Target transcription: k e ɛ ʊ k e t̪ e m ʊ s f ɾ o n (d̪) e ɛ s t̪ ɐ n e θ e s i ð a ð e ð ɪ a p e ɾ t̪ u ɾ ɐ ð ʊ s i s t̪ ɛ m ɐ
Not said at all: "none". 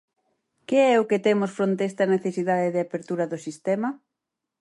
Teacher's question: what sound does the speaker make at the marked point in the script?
t̪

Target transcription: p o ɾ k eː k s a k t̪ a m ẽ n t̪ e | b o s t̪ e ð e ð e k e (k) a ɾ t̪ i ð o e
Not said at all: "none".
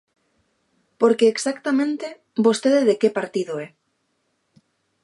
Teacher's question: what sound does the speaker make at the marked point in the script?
p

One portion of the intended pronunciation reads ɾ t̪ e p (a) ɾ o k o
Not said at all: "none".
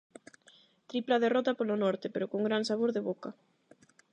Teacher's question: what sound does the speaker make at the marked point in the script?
e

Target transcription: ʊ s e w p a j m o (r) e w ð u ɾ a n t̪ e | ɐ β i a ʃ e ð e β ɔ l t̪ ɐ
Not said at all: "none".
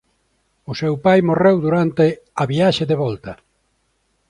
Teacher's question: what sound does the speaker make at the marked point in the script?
r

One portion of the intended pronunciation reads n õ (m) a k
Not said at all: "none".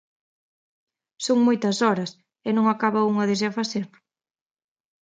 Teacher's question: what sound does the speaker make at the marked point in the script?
ŋ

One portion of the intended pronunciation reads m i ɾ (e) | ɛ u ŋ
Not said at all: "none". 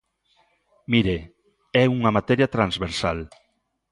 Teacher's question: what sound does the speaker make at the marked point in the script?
e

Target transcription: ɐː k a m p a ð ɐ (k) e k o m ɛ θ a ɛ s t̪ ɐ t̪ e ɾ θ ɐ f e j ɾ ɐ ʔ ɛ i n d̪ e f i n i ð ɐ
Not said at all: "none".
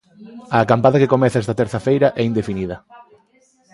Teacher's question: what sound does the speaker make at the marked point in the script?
k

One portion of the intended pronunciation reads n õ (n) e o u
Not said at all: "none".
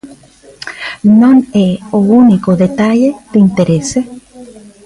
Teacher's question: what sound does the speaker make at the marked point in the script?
n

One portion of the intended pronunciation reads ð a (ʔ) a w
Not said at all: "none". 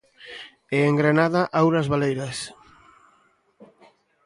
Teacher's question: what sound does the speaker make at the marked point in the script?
ʔ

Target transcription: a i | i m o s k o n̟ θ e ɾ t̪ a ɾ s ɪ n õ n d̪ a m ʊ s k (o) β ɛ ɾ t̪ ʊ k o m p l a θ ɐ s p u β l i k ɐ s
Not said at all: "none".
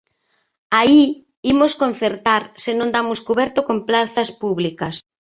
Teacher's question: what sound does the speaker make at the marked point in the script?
u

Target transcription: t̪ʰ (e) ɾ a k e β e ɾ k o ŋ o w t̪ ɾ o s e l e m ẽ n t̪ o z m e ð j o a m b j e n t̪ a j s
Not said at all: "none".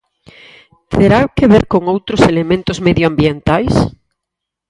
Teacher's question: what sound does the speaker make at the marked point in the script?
e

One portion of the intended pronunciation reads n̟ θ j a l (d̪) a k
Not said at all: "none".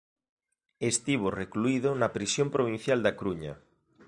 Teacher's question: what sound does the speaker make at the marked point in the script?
d̪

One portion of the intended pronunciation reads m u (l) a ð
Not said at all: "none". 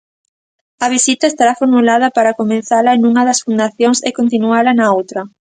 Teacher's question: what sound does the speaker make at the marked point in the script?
l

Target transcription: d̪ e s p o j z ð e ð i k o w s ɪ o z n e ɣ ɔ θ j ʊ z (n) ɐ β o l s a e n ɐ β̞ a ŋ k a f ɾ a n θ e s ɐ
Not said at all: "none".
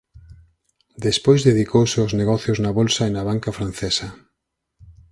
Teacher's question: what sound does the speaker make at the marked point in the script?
n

